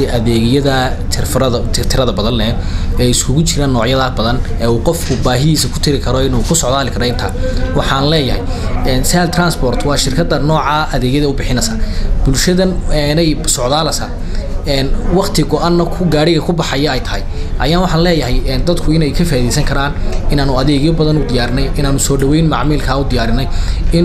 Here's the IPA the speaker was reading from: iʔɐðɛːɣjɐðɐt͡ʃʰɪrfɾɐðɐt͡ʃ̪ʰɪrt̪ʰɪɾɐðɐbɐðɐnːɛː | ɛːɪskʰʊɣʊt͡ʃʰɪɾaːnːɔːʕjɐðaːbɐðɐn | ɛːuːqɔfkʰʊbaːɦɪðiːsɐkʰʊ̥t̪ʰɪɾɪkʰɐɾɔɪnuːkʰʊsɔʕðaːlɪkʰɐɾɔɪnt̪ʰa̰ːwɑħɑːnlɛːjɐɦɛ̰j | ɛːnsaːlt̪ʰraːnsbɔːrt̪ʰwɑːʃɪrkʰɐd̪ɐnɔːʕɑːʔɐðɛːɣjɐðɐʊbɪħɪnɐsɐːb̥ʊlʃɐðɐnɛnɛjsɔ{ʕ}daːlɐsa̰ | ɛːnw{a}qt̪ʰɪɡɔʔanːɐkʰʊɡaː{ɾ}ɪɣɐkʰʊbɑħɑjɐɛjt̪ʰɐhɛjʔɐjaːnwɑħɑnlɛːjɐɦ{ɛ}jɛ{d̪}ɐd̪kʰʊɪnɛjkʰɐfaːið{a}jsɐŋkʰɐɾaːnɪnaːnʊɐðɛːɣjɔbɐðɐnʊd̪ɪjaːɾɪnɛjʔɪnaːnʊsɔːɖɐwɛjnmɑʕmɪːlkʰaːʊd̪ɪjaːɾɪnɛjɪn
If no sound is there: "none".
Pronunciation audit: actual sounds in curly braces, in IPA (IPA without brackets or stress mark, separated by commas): ʕ, ɑ, ɽ, ɛ, d̪, ɛ